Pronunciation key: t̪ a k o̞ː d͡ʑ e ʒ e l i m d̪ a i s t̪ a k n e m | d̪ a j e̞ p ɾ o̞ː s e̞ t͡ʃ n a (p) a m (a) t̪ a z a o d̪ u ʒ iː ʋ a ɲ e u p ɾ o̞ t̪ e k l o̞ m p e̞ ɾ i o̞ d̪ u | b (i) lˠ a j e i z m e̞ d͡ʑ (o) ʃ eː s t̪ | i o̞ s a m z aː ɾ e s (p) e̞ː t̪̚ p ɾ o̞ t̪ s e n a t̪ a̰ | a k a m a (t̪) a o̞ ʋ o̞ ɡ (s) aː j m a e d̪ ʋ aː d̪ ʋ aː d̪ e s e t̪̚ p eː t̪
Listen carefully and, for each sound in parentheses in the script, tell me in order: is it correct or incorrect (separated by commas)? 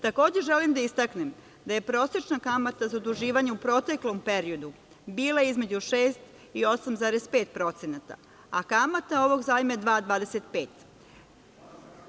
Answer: incorrect, correct, incorrect, incorrect, correct, correct, incorrect